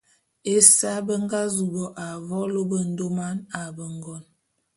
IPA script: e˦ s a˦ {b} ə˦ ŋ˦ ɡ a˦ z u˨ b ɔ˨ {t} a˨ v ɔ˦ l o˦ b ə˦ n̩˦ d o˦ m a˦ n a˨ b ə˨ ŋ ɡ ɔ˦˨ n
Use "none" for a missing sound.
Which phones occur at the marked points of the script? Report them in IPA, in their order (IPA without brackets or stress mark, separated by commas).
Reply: b, ʔ